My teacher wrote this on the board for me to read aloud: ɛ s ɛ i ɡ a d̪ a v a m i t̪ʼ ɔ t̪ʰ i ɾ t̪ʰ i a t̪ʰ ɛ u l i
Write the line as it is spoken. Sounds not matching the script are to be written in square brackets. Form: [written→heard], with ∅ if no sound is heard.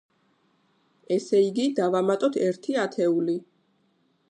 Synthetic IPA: ɛ s ɛ i ɡ [a→i] d̪ a v a m [i→a] t̪ʼ ɔ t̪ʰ [i→ɛ] ɾ t̪ʰ i a t̪ʰ ɛ u l i